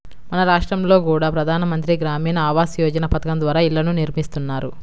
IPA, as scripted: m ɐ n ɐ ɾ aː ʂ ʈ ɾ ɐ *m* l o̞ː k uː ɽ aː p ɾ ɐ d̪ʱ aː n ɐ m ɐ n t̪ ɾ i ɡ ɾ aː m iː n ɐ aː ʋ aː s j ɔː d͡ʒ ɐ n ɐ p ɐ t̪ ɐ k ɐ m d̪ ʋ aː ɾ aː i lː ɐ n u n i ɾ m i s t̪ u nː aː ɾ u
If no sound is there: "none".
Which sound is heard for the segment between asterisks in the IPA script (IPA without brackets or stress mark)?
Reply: m